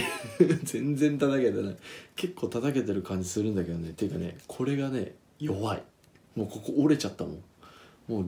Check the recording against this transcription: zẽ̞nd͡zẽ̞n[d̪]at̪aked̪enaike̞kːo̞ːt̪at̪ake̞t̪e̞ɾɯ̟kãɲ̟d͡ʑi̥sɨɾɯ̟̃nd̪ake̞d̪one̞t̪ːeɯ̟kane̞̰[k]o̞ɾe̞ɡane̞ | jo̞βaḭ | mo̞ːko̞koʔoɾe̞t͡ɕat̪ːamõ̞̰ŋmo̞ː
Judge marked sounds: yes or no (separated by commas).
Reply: no, no